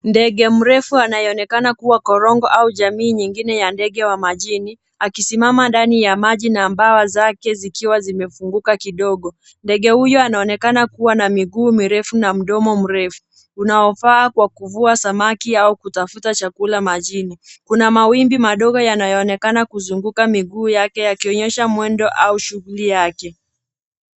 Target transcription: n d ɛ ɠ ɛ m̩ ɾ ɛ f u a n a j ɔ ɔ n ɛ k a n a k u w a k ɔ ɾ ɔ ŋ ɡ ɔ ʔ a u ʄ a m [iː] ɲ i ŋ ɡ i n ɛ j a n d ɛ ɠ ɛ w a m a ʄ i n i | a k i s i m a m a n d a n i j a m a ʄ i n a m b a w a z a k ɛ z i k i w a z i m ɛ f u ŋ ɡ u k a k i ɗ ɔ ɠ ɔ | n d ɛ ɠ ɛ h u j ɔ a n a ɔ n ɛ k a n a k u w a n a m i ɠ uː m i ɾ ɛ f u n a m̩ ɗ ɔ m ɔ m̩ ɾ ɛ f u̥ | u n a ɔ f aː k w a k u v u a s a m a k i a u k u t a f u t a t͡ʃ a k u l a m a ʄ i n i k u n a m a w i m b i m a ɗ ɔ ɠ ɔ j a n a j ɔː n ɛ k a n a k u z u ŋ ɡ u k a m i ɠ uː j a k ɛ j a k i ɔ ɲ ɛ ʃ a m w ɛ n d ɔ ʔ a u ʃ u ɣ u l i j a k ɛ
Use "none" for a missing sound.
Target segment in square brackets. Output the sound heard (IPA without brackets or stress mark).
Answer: iː